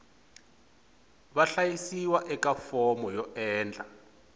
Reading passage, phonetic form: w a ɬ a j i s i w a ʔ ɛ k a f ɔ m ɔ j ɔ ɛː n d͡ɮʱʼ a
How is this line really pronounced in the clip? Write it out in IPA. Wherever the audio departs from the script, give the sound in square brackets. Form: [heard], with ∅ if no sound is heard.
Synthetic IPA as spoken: [β] a ɬ a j i s i w a ʔ ɛ k a f ɔ m ɔ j ɔ ɛː n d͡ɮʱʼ a